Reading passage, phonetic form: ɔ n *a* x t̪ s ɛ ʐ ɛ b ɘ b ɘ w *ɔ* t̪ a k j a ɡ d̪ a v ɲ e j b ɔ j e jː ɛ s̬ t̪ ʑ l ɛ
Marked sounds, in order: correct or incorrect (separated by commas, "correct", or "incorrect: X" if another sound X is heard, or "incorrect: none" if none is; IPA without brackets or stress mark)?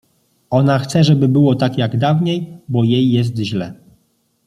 correct, correct